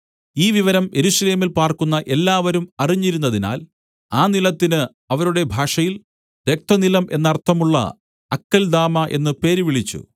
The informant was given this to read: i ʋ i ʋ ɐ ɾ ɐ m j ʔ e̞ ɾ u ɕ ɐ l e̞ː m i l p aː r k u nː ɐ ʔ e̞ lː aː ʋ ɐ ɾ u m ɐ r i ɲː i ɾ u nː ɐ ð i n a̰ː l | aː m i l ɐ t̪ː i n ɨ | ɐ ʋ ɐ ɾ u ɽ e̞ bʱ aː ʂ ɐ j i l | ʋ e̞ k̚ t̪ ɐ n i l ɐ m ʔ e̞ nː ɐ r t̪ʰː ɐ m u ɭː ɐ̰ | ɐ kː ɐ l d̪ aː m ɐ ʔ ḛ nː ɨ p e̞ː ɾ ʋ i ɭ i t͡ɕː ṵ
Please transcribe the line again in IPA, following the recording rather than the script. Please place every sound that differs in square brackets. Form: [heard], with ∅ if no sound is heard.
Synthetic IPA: [iː] ʋ i ʋ ɐ ɾ ɐ m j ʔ e̞ ɾ u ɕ ɐ l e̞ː m i l p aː r k u nː ɐ ʔ e̞ lː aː ʋ ɐ ɾ u m ɐ r i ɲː i ɾ u nː ɐ ð i n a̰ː l | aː [n] i l ɐ t̪ː i n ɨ | ɐ ʋ ɐ ɾ u ɽ e̞ bʱ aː ʂ ɐ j i l | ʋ e̞ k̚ t̪ ɐ n i l ɐ m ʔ e̞ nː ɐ r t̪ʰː ɐ m u ɭː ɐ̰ | ɐ kː ɐ l d̪ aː m ɐ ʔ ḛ nː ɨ p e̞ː ɾ ʋ i ɭ i t͡ɕː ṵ